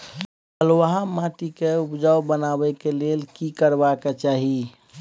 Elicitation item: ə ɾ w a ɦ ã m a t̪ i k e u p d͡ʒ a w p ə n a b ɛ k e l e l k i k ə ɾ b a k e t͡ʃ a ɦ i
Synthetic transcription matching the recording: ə l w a ɦ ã m a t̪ i k e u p d͡ʒ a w b ə n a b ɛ k e l e l k i k ə ɾ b a k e t͡ʃ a ɦ i